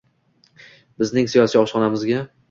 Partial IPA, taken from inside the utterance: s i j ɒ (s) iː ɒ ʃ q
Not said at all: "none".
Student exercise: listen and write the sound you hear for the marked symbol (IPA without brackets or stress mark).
s